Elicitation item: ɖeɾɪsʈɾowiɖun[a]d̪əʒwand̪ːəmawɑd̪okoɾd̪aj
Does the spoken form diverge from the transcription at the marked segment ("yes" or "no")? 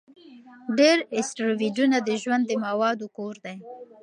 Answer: no